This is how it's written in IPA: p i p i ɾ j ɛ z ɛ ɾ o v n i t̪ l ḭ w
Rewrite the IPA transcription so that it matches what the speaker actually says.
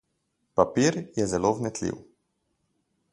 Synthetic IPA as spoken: p a p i ɾ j ɛ z ɛ l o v n ɛ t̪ l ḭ w